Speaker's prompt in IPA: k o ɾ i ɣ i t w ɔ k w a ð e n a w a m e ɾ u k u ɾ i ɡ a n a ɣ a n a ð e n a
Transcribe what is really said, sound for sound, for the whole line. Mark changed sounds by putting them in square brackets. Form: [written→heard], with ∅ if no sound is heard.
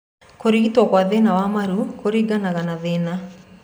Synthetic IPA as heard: k o ɾ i ɣ i t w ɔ k w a ð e n a w a m [e→a] ɾ u k [u→o] ɾ i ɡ a n a ɣ a n a ð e n a